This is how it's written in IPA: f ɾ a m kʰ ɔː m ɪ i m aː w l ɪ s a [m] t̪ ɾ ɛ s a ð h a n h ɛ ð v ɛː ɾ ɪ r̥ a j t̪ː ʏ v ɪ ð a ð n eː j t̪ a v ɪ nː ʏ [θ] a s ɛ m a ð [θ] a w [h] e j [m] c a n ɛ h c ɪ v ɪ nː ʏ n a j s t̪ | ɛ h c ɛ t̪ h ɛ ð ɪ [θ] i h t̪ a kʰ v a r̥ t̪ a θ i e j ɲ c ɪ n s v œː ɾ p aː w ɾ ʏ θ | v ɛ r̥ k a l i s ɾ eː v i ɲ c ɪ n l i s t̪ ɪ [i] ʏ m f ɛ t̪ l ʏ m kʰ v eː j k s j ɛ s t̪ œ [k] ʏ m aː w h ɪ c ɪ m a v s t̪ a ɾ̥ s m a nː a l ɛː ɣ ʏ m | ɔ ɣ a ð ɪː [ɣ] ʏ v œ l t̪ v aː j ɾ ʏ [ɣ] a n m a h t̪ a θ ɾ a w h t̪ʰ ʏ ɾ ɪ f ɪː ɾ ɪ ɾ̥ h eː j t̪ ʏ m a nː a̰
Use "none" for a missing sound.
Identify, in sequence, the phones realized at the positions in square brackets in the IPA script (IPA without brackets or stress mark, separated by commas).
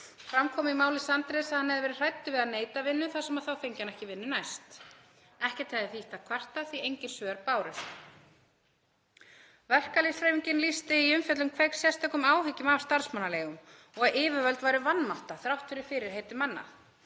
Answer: n, θ, θ, f, ɲ, θ, i, k, v, v